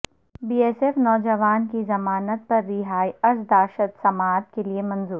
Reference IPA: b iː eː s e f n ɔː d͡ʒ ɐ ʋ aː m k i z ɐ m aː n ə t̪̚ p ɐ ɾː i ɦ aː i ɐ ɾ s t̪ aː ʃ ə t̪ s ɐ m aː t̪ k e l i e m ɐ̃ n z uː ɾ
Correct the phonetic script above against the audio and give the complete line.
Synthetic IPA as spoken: b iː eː s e f n ɔː d͡ʒ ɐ ʋ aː n k i z ɐ m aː n ə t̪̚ p ɐ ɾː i ɦ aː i ɐ ɾ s d̪ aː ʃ ə t̪ s ɐ m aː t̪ k e l i e m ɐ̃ n z uː ɾ